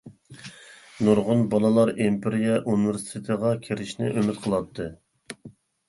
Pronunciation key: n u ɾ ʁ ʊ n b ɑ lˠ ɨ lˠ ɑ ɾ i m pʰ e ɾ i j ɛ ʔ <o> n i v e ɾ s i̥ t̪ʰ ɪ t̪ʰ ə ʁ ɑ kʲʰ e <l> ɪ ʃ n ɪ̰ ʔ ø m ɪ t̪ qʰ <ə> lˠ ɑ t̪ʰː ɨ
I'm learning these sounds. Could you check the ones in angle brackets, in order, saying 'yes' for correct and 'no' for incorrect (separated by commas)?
no, no, yes